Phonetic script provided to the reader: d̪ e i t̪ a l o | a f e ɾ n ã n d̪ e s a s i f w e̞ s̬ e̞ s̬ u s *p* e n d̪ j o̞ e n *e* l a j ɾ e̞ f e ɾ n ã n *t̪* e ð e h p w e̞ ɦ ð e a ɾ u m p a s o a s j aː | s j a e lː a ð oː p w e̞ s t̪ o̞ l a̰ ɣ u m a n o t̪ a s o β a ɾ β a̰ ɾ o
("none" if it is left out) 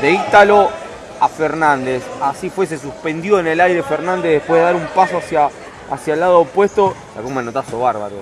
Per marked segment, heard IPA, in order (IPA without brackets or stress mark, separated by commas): p, e, d̪